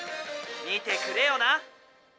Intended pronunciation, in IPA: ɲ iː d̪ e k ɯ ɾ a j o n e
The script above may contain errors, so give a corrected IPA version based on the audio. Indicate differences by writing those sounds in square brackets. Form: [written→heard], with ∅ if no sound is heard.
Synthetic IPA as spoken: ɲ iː [d̪→t̪] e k ɯ ɾ [a→e] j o n [e→a]